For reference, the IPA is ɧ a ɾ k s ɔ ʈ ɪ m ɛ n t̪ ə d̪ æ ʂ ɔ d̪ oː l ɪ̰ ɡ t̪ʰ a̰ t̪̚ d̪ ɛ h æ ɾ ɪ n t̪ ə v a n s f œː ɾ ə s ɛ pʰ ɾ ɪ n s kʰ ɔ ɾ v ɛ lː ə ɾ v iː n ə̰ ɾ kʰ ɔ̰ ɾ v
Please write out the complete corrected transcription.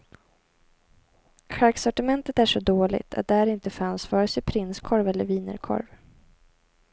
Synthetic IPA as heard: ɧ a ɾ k s ɔ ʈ ɪ m ɛ n t̪ ə t̪ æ ʂ ɔ d̪ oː l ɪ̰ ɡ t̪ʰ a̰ t̪̚ d̪ ɛ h æ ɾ ɪ n t̪ ə f a n s f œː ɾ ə s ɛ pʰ ɾ ɪ n s kʰ ɔ ɾ v ɛ lː ə ɾ v iː n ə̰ ɾ kʰ ɔ̰ ɾ v